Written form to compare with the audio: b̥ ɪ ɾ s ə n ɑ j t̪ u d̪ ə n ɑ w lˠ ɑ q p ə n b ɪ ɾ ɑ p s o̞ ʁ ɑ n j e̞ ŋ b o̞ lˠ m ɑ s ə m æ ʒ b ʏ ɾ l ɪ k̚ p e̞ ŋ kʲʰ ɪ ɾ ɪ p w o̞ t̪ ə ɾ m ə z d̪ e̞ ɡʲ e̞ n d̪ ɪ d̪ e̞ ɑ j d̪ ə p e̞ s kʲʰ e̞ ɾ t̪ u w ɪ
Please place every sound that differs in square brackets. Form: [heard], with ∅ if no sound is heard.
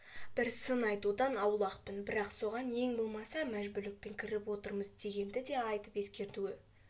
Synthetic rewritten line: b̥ ɪ ɾ s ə n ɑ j t̪ u d̪ [ɑ] n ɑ w lˠ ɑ q p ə n b ɪ ɾ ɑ [q] s o̞ ʁ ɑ n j e̞ ŋ b o̞ lˠ m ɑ s [ɑ] m æ ʒ b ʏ ɾ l ɪ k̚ p e̞ ŋ kʲʰ ɪ ɾ ɪ p w o̞ t̪ ə ɾ m ə z d̪ e̞ ɡʲ e̞ n d̪ ɪ d̪ e̞ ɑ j [t̪] ə p e̞ s [kʲ] e̞ ɾ t̪ u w ɪ